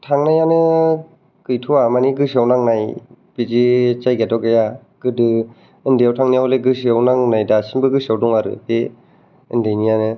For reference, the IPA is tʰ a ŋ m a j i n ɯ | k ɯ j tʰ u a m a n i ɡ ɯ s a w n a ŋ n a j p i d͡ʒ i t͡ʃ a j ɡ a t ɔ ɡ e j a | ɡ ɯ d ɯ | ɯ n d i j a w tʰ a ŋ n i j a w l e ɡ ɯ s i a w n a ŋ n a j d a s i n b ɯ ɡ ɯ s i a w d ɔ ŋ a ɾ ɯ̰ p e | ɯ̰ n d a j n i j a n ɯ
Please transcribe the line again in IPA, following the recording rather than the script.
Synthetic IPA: tʰ a ŋ n a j a n ɯ | k ɯ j tʰ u a m a n i ɡ ɯ s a w n a ŋ n a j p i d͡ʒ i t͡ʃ a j ɡ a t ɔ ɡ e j a | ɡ ɯ d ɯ | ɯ n d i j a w tʰ a ŋ n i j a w l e ɡ ɯ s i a w n a ŋ n a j d a s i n b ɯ ɡ ɯ s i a w d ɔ ŋ a ɾ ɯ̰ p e | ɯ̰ n d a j n i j a n ɯ